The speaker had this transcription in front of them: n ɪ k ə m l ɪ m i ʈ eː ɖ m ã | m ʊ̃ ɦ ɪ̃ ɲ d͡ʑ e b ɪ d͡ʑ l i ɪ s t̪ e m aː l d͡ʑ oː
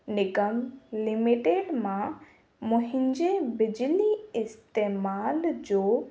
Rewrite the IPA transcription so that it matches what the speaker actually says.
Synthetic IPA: n ɪ k ə m l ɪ m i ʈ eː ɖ m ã | m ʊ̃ ɦ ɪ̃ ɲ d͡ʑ e b ɪ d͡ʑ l i ɪ s t̪ e m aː l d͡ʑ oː

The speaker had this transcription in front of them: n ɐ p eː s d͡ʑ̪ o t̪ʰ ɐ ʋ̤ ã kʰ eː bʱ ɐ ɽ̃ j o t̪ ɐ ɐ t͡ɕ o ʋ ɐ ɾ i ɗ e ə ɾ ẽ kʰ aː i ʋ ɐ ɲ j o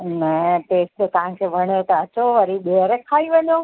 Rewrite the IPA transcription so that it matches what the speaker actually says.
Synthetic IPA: n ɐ p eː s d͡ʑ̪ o t̪ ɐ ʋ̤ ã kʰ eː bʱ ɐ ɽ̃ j o t̪ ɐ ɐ t͡ɕ o ʋ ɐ ɾ i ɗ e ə ɾ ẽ kʰ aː i ʋ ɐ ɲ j o

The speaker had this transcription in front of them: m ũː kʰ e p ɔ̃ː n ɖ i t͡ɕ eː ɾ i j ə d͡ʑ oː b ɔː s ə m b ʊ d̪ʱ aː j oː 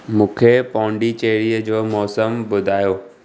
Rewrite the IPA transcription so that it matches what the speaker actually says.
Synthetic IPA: m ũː kʰ e p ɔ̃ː ɳ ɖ i t͡ɕ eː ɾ i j ə d͡ʑ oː m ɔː s ə m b ʊ d̪ʱ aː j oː

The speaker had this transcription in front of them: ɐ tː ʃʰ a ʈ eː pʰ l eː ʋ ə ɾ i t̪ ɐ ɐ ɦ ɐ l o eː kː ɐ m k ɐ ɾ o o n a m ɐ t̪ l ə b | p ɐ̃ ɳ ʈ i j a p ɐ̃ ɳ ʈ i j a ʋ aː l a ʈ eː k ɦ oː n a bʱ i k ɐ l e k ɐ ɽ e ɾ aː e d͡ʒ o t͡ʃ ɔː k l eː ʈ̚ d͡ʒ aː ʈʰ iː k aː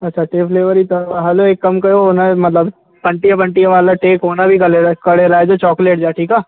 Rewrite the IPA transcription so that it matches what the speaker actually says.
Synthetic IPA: ɐ tː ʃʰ a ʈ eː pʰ l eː ʋ ə ɾ i t̪ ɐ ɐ ɦ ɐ l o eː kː ɐ m k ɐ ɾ o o n a m ɐ t̪ l ə b | p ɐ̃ ɳ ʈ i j a p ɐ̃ ɳ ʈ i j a ʋ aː l a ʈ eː k ɦ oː n a bʱ i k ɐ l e k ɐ ɽ e ɾ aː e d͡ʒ o t͡ʃ ɔː k l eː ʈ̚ d͡ʒ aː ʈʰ iː k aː

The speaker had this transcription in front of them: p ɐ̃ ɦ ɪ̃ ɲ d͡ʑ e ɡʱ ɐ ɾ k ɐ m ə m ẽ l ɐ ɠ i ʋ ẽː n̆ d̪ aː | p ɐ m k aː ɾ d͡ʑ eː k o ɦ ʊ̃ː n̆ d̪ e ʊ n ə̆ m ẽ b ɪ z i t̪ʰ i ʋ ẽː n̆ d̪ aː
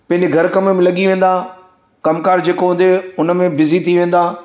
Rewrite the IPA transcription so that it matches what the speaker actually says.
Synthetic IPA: p ɐ̃ ɦ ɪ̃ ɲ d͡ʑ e ɡʱ ɐ ɾ k ɐ m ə m ẽ l ɐ ɠ i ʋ ẽː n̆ d̪ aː | k ɐ m k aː ɾ d͡ʑ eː k o ɦ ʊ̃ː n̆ d̪ e ʊ n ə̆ m ẽ b ɪ z i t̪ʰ i ʋ ẽː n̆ d̪ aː

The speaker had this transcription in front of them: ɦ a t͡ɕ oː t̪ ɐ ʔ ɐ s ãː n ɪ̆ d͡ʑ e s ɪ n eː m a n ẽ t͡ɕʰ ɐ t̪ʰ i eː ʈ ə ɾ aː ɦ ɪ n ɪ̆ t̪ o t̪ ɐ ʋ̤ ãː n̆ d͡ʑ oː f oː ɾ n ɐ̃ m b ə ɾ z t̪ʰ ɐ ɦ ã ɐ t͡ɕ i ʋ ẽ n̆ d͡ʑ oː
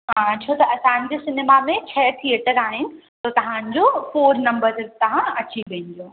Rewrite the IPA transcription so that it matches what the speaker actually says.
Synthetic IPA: ɦ a t͡ɕʰ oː t̪ ɐ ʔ ɐ s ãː n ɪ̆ d͡ʑ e s ɪ n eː m a m ẽ t͡ɕʰ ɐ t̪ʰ i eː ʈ ə ɾ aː ɦ ɪ n ɪ̆ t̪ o t̪ ɐ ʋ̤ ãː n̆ d͡ʑ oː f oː ɾ n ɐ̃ m b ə ɾ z t̪ ɐ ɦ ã ɐ t͡ɕ i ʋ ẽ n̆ d͡ʑ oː

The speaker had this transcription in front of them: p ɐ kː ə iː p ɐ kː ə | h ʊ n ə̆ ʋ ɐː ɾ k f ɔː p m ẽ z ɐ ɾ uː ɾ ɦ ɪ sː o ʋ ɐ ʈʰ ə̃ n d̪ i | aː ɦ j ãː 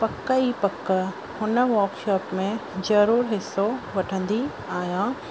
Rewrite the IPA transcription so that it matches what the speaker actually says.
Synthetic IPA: p ɐ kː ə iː p ɐ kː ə | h ʊ n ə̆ ʋ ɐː ɾ k ʃ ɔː p m ẽ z ɐ ɾ uː ɾ ɦ ɪ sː o ʋ ɐ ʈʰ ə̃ n d̪ i | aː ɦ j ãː

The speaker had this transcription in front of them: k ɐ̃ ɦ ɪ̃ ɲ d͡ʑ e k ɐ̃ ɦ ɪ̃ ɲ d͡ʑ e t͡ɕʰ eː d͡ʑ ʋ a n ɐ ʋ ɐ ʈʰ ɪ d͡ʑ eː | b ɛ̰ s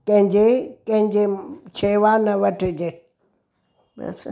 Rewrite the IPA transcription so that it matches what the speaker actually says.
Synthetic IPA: k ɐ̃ ɦ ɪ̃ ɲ d͡ʑ e k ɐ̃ ɦ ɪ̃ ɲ d͡ʑ e t͡ɕʰ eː ʋ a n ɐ ʋ ɐ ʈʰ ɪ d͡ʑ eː | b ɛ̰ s

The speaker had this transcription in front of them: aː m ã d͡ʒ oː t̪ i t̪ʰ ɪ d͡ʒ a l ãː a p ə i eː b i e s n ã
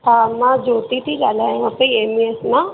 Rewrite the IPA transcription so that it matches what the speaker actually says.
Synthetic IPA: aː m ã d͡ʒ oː t̪ i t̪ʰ i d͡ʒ a l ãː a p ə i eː m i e s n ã

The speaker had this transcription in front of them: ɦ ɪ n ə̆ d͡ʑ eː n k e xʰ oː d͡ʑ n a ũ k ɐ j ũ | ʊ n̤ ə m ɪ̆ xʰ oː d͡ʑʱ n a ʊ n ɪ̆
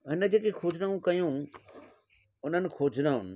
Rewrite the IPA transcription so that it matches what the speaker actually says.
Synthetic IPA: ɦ ɪ n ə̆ d͡ʑ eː k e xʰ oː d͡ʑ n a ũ k ɐ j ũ | ʊ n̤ ə n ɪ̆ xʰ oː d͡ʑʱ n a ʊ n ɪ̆

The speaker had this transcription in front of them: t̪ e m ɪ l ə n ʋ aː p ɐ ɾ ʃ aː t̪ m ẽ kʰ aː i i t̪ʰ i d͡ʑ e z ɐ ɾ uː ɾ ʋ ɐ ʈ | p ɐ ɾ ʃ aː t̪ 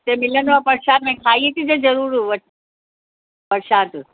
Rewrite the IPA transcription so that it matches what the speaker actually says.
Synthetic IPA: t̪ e m ɪ l ə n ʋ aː p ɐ ɾ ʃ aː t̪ m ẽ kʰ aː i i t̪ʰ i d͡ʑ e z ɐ ɾ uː ɾ ʋ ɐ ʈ | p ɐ ɾ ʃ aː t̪

